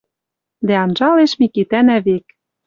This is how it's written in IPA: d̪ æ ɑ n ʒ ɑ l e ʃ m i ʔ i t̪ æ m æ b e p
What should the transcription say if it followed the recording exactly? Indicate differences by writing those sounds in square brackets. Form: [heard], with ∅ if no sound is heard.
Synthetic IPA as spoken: d̪ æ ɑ n ʒ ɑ l e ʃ m i [k] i t̪ æ [n] æ [β] e [k]

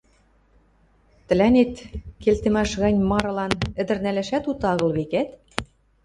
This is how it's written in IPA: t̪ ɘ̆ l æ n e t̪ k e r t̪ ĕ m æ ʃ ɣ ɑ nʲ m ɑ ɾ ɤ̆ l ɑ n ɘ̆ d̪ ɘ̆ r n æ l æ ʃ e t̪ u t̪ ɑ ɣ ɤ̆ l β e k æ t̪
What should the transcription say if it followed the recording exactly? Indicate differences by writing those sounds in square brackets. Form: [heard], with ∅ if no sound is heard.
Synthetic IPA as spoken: t̪ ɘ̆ l æ n e t̪ k e [l] t̪ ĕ m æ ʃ ɣ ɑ nʲ m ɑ ɾ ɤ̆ l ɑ n ɘ̆ d̪ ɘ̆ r n æ l æ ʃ [æ] t̪ u t̪ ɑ ɣ ɤ̆ l β e k æ t̪

